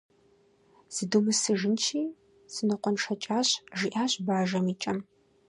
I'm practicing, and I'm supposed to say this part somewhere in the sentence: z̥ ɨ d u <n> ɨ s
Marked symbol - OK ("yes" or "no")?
no